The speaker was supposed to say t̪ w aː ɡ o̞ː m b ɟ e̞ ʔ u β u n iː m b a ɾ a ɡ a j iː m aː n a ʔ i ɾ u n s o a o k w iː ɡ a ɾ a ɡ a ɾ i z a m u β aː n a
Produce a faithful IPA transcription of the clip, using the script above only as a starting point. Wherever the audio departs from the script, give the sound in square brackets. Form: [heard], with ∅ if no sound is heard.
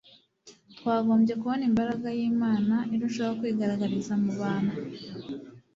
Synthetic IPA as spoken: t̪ w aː ɡ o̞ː m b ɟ e̞ [k] u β [o] n [i] m b a ɾ a ɡ a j iː m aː n a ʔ i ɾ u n [ʃ] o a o k w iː ɡ a ɾ a ɡ a ɾ i z a m u β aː n a